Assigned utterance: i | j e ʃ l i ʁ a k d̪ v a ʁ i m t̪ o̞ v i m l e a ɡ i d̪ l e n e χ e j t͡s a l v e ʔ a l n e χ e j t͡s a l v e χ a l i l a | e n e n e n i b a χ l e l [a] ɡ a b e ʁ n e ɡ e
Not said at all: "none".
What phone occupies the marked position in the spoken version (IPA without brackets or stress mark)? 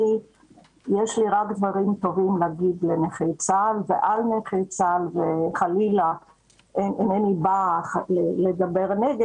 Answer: e